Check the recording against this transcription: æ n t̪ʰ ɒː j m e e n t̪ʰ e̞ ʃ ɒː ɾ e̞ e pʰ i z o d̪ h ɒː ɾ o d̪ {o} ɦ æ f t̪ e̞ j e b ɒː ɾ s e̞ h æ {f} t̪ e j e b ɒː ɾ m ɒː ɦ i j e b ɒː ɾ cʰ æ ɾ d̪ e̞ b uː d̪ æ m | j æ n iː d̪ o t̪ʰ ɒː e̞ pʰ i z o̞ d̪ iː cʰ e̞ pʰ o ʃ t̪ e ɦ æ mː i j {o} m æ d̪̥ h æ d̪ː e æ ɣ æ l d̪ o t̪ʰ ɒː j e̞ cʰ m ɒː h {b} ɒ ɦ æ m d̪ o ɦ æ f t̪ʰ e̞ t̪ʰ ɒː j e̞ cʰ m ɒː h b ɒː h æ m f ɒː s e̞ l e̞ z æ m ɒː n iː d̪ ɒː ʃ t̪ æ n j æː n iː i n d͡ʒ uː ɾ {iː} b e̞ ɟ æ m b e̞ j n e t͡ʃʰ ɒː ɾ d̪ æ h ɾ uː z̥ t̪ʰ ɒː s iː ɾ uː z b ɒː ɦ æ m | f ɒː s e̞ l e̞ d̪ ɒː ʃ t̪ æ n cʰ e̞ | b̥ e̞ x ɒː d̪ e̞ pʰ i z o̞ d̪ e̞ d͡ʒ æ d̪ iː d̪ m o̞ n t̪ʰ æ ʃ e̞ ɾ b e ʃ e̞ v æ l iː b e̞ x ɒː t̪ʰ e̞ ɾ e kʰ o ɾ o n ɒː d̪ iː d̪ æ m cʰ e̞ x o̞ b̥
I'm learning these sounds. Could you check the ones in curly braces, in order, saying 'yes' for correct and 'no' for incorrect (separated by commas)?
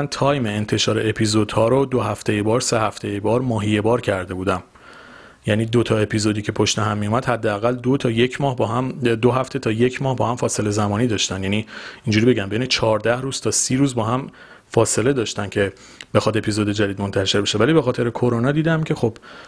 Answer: yes, yes, no, yes, no